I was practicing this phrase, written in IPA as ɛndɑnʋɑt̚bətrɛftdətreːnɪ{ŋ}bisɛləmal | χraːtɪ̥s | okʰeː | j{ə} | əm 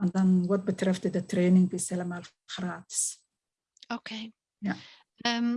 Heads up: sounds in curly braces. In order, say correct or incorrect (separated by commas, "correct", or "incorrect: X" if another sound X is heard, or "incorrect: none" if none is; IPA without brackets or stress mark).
correct, incorrect: a